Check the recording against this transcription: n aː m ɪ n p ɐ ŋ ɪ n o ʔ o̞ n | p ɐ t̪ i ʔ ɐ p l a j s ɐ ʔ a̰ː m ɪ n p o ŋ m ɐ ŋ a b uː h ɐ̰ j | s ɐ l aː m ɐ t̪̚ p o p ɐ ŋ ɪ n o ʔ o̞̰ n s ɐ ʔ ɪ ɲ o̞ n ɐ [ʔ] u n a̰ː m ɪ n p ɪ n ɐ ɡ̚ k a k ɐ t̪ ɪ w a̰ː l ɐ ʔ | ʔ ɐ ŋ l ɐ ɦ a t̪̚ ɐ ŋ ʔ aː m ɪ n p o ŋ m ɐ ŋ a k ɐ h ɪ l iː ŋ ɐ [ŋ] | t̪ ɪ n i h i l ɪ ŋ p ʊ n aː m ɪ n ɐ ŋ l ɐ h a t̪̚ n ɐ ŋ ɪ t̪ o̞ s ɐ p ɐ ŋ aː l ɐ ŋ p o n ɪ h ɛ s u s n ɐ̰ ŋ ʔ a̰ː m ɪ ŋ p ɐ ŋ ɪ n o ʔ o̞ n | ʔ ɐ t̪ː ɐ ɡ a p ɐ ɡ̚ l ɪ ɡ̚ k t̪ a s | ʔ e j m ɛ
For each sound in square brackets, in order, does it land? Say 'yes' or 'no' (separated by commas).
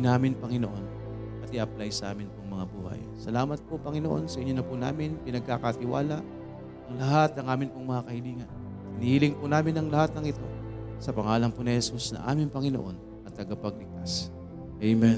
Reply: no, no